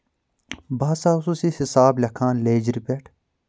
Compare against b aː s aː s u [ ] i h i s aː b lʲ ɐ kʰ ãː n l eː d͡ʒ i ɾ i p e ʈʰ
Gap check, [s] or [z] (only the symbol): s